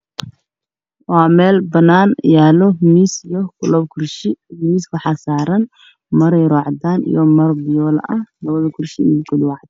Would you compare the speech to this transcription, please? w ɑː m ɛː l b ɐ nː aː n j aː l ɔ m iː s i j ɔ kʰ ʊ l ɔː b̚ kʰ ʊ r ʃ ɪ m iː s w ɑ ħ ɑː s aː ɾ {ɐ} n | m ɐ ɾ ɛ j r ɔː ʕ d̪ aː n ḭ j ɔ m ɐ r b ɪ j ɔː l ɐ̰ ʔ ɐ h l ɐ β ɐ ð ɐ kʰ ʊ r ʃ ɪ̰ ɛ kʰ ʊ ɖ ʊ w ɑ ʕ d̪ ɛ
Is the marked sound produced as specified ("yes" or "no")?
yes